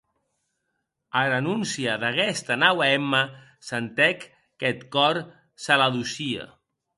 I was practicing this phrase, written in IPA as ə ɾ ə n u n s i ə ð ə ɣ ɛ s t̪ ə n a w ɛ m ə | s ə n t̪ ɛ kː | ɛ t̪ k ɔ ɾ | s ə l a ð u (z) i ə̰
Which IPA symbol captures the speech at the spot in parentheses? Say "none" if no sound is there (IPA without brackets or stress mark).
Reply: s